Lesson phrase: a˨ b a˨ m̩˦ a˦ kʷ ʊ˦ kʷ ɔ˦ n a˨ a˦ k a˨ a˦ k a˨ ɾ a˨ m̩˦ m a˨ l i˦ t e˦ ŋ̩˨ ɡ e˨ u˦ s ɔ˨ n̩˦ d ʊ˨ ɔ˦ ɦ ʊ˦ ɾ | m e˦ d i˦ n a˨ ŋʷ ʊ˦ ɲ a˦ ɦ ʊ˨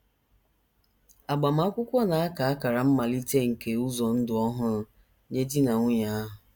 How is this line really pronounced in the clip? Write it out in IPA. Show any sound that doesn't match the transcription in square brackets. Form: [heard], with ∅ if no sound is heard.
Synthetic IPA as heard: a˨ [ɡ͡b] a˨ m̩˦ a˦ kʷ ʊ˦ kʷ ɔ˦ n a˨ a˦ k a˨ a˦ k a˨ ɾ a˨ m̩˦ m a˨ l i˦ t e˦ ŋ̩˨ [k] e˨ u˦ [z] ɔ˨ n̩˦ d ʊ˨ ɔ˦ ɦ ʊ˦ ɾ | [ɲ] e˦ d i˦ n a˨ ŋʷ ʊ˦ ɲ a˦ ɦ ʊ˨